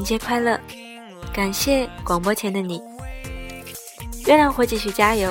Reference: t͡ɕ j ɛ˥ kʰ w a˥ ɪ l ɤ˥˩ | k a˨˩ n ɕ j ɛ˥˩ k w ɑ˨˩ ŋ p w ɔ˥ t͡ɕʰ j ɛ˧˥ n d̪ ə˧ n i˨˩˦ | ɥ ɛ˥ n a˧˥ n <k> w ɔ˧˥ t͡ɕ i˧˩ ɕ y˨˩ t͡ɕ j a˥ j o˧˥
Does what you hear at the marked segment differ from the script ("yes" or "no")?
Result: yes